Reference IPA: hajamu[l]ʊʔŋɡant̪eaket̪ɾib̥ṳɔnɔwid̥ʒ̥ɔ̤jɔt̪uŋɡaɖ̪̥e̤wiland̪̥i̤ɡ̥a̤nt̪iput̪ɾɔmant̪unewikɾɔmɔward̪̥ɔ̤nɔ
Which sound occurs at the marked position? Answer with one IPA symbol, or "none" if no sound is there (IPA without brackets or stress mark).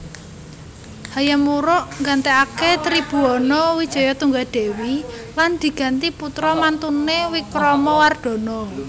ɾ